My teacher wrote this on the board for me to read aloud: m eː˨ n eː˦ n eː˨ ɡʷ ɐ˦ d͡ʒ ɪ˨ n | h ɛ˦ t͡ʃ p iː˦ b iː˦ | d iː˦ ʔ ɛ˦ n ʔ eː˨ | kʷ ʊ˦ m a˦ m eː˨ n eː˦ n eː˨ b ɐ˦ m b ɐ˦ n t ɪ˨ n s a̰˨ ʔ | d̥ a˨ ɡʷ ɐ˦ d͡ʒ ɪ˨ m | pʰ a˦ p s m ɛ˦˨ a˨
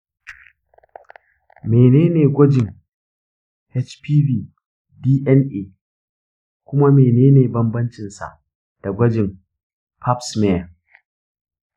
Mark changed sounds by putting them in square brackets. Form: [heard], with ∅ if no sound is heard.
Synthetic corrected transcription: m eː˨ n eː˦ n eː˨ ɡʷ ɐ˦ d͡ʒ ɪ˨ [ŋ] | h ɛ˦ t͡ʃ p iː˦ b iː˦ | d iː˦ ʔ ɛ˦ n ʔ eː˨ | kʷ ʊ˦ m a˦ m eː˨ n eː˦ n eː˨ b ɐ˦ m b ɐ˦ n [t͡ʃ] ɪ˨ n s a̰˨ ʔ | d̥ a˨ ɡʷ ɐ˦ d͡ʒ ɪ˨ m | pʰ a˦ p s m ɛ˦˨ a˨